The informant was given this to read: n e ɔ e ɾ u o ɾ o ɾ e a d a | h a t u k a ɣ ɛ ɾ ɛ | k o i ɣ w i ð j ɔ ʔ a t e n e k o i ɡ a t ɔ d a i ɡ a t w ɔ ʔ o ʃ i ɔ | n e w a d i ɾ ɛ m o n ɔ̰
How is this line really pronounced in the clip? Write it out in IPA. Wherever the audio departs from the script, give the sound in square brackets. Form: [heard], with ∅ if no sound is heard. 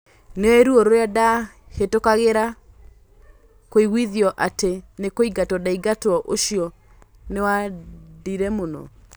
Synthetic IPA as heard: n e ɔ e ɾ u o ɾ o ɾ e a d a | h [e] t [o] k a ɣ [e] ɾ [a] | k o i ɣ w i ð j ɔ ʔ a t e n e k o i ɡ a t ɔ d a i ɡ a t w ɔ ʔ o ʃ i ɔ | n e w a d i ɾ ɛ m o n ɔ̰